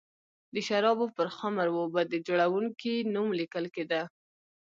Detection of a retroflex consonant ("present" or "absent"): present